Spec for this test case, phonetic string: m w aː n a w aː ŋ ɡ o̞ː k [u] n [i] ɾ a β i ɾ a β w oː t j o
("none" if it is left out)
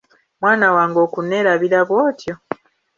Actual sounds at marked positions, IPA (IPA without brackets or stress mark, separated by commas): u, e